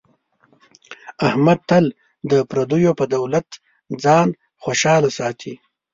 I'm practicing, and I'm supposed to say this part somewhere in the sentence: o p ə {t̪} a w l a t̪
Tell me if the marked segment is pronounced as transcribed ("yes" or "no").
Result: no